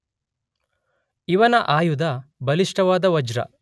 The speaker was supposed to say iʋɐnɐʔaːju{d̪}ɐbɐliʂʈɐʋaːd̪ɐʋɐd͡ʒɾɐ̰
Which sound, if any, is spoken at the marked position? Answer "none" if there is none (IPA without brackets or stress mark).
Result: d̪